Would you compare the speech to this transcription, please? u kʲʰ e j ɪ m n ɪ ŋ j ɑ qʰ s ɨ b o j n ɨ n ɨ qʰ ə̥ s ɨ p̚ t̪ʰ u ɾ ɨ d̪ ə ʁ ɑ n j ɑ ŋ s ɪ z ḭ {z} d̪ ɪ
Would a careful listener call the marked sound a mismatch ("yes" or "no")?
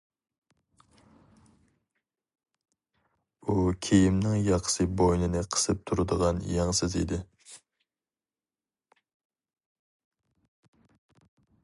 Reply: yes